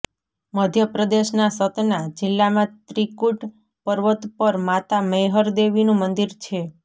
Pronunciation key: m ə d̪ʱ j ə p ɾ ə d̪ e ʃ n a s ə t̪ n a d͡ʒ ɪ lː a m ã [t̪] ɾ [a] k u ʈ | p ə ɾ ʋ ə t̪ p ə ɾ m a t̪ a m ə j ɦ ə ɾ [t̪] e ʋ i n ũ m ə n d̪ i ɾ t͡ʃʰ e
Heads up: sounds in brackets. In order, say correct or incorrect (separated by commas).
correct, incorrect, incorrect